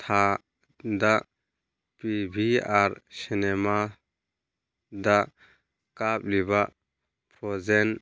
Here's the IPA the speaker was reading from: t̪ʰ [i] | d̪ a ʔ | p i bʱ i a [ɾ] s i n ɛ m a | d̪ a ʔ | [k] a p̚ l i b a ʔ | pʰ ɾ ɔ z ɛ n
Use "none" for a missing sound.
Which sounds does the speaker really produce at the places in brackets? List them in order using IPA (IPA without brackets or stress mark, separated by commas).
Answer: a, ɾ, k